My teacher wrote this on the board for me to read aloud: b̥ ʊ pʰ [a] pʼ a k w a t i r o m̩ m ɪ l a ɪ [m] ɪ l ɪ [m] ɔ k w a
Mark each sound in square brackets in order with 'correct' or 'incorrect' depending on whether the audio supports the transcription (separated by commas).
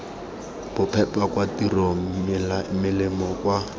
incorrect, correct, correct